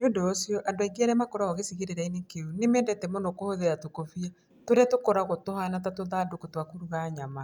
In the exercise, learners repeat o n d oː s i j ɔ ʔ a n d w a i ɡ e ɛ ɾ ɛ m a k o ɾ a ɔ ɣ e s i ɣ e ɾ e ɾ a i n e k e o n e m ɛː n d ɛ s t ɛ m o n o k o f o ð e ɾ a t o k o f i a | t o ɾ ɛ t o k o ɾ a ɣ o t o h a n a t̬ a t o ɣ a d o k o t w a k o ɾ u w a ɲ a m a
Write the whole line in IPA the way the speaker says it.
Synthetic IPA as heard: o n d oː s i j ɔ ʔ a n d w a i ɡ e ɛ ɾ ɛ m a k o ɾ a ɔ ɣ e s i ɣ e ɾ e ɾ a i n e k e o n e m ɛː n d ɛ t ɛ m o n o k o h o ð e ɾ a t o k o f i a | t o ɾ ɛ t o k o ɾ a ɣ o t o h a n a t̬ a t o ð a d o k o t w a k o ɾ u ɣ a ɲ a m a